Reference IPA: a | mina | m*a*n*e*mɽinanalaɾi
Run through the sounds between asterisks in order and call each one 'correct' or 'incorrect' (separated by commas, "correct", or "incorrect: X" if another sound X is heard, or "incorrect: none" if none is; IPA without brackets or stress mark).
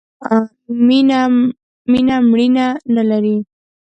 incorrect: i, incorrect: a